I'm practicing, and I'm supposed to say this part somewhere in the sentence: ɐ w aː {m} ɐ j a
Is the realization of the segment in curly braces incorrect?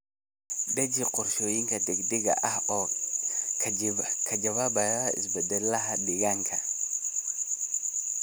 yes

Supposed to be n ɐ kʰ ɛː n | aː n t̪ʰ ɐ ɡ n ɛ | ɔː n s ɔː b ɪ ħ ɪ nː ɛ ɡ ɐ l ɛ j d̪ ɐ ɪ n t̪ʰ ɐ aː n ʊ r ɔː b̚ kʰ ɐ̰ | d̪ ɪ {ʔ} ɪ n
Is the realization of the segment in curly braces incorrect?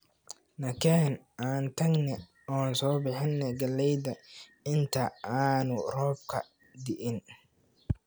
no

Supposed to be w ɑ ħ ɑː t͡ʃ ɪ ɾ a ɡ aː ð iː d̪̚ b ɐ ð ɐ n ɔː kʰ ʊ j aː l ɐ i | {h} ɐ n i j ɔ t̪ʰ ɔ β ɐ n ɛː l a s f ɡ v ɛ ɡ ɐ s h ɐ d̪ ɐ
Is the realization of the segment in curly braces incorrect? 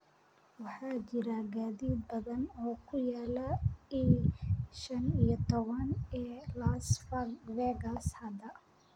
yes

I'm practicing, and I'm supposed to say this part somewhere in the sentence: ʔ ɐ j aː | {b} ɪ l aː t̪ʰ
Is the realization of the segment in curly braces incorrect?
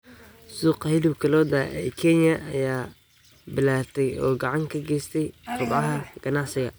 no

